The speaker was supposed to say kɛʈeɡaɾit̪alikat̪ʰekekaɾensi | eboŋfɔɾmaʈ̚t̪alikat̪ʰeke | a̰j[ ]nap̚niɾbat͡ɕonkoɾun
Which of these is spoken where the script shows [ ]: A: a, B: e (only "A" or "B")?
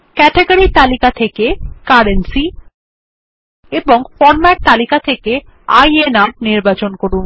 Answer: B